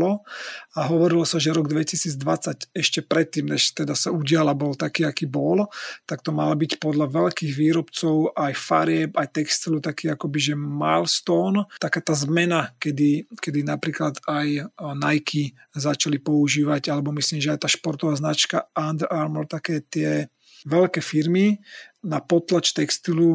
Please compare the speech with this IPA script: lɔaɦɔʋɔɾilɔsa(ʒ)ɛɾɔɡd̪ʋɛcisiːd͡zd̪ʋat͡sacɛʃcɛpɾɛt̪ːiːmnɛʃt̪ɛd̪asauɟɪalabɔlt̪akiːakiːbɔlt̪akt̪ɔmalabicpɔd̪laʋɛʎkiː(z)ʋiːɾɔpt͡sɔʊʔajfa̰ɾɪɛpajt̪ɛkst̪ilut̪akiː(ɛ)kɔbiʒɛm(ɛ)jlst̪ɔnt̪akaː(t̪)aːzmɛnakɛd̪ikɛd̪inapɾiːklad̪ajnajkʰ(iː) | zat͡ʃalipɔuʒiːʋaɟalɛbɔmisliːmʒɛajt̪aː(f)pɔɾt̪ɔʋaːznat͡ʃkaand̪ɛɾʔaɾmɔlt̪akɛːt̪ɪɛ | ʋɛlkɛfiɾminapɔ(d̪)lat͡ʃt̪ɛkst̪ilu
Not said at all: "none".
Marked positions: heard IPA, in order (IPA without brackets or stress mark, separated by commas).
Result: ʒ, ɣ, a, a, t̪, i, ʃ, t̪